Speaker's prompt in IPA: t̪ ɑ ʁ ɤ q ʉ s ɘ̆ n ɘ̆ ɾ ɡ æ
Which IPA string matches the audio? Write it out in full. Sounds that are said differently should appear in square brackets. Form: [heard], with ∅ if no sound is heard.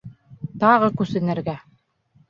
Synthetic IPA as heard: t̪ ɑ ʁ ɤ [k] ʉ s ɘ̆ n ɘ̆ ɾ ɡ æ